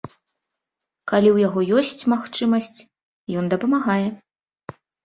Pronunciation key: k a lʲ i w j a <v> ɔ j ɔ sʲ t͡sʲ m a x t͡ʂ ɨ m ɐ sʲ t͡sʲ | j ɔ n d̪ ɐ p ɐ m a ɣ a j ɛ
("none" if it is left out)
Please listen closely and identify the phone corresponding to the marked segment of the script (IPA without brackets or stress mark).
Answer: ɣ